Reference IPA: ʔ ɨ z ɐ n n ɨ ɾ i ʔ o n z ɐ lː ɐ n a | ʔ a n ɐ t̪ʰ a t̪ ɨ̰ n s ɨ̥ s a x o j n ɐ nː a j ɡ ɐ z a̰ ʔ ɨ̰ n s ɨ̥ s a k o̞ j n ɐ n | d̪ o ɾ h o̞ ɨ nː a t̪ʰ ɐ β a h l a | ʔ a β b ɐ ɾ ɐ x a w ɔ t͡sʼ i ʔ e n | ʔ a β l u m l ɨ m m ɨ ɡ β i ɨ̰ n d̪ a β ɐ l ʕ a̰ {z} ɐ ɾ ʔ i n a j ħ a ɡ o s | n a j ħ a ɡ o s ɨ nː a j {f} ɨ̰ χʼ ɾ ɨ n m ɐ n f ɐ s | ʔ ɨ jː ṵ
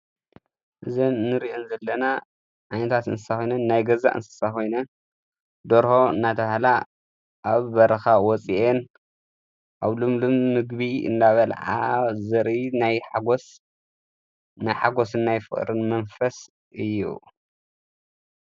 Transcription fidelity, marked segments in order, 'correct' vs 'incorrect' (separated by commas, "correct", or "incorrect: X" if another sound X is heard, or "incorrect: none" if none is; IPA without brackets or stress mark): correct, correct